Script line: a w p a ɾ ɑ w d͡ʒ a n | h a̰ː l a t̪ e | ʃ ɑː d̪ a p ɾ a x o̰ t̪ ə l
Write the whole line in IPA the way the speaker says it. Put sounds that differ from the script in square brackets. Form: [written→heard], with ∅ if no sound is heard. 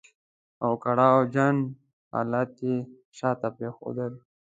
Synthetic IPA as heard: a w [p→k] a [ɾ→ɽ] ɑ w d͡ʒ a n | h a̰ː l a t̪ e | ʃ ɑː [d̪→t̪] a p ɾ [a→e] x o̰ [t̪→d̪] ə l